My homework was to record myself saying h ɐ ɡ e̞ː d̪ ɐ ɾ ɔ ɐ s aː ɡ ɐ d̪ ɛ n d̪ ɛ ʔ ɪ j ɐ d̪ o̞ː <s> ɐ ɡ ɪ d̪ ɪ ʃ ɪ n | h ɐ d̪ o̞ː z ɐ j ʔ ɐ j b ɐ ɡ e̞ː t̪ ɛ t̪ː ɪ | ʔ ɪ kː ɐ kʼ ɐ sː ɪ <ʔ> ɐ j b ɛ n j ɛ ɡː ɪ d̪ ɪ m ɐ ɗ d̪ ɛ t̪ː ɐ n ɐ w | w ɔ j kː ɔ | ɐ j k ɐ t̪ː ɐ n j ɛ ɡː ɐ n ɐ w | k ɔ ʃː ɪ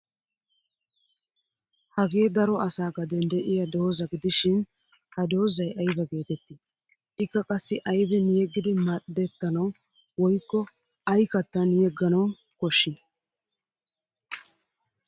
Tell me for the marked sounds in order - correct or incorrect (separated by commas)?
incorrect, correct